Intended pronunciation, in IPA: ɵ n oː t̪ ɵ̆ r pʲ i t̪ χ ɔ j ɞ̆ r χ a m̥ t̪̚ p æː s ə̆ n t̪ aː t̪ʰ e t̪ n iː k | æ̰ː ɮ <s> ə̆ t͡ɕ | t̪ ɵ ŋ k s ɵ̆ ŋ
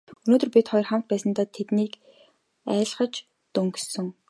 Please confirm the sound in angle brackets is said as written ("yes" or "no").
no